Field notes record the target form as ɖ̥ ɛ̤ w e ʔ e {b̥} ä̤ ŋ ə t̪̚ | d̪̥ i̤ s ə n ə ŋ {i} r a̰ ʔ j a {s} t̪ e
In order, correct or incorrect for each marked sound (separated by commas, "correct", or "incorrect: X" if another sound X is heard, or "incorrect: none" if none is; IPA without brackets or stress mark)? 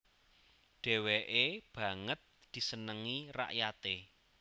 correct, correct, incorrect: none